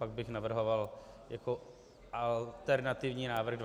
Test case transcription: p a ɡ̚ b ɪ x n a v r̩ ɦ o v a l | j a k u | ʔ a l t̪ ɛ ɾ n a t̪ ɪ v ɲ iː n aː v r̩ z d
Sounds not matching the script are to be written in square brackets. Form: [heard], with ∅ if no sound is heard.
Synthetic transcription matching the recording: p a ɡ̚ b ɪ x n a v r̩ ɦ o v a l | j a k [o] | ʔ a l t̪ ɛ ɾ n a t̪ ɪ v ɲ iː n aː v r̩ [ɣ] d